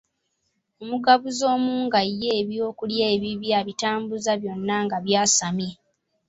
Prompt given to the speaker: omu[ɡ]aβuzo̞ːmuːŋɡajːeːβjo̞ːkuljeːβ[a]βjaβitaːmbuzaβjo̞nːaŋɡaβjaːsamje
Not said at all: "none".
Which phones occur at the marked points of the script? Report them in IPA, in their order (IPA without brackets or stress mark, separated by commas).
ɡ, i